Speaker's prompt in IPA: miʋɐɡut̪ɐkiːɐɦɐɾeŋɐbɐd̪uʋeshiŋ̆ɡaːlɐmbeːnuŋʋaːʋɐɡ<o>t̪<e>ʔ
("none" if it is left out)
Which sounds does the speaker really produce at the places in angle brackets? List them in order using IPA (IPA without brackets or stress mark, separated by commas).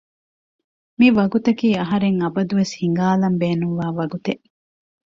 u, e